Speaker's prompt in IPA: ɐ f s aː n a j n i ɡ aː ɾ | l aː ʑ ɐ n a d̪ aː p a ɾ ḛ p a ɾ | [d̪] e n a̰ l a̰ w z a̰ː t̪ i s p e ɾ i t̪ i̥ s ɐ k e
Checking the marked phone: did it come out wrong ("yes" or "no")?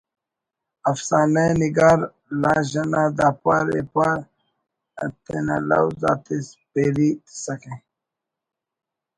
yes